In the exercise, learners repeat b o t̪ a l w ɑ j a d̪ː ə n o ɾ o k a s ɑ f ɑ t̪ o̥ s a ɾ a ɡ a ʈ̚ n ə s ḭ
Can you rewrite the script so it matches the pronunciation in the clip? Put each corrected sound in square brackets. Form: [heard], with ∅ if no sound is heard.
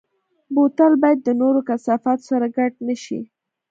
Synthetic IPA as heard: b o t̪ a l [b] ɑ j a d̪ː ə n o ɾ o k a s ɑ f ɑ t̪ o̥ s a ɾ a ɡ a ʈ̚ n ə [ʃ] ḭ

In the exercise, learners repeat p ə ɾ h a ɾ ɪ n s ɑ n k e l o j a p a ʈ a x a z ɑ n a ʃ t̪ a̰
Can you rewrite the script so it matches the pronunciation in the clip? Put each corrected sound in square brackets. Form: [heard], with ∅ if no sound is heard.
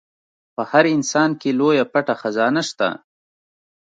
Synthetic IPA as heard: p ə [∅] h a ɾ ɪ n s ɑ n k e l o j a p a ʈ a x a z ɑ n a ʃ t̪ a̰

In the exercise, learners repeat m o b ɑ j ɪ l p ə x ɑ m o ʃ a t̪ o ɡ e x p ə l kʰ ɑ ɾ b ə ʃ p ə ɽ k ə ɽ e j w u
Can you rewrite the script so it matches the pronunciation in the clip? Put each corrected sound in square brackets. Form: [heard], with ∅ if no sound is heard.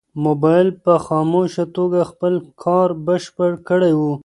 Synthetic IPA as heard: m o b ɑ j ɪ l p ə x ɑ m o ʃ a t̪ o ɡ [a] x p ə l kʰ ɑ ɾ b ə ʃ p ə ɽ k ə ɽ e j w u

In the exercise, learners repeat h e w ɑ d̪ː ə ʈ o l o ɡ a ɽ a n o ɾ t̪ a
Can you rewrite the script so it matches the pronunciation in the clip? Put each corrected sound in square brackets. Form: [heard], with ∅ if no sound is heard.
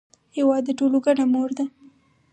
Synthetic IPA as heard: h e w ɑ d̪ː ə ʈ o l o ɡ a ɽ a [m] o ɾ [d̪] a

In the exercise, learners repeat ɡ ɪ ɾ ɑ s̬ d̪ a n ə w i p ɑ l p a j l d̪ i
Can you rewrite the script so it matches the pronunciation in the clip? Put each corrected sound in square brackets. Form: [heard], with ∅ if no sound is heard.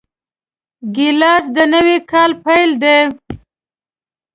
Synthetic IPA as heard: ɡ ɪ [l] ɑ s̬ d̪ [ə] n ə w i [k] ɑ l p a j l d̪ [e]

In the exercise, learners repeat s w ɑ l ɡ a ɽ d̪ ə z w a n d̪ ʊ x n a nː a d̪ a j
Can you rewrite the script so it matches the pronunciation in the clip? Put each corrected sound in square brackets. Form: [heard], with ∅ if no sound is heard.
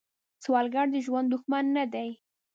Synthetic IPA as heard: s w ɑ l ɡ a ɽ d̪ ə [ʒ] w a n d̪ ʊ x [m] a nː a d̪ a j

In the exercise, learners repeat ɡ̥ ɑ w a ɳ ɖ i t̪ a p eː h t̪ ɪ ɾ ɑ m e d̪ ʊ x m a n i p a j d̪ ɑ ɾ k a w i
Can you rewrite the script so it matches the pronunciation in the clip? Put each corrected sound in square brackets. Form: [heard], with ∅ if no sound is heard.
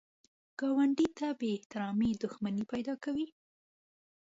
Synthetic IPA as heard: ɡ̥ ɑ w a ɳ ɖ i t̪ a [b] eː h t̪ ɪ ɾ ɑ m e d̪ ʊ x m a n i p a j d̪ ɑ [∅] k a w i

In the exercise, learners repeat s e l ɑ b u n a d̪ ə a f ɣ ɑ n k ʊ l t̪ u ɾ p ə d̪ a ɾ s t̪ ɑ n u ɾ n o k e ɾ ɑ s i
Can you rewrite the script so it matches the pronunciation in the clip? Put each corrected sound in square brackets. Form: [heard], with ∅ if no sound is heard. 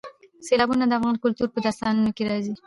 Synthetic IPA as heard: s e l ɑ b u n a d̪ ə a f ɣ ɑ n k ʊ l t̪ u ɾ p ə d̪ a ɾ s t̪ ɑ n u [∅] n o k e ɾ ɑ [z] i

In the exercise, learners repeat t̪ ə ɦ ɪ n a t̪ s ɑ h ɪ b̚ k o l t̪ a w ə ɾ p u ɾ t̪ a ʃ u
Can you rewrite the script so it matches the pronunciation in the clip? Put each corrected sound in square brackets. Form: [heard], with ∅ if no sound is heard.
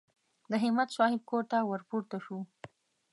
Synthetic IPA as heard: [d̪] ə ɦ ɪ [m] a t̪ s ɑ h ɪ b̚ k o [ɾ] t̪ a w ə ɾ p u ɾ t̪ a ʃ u

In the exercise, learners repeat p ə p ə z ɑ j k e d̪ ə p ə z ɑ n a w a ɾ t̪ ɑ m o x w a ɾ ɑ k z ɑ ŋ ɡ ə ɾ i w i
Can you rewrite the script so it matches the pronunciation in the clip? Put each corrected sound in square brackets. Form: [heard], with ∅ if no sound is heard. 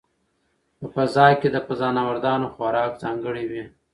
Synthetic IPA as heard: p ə p ə z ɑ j k e d̪ ə p ə z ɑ n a w a ɾ [d̪] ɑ [n] o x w a ɾ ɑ k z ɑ ŋ ɡ ə [ɽ] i w i

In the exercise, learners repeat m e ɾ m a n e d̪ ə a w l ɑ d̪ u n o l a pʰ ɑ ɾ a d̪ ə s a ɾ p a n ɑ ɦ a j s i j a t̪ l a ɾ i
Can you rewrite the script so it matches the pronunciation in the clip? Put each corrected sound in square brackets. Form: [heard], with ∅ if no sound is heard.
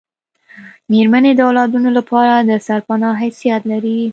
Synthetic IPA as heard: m e ɾ m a n e d̪ ə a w l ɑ d̪ u n o l a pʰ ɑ ɾ a d̪ ə s a ɾ p a n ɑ ɦ a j s i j a t̪ l a ɾ i

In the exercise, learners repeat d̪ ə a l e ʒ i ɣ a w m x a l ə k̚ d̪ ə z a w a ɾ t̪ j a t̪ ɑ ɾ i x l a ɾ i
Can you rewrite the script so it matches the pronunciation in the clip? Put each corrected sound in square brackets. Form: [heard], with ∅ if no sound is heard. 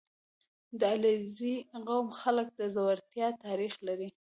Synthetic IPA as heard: d̪ ə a l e [z] i ɣ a w m x a l ə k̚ d̪ ə z a w a ɾ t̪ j [ɑ] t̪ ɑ ɾ i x l a ɾ i

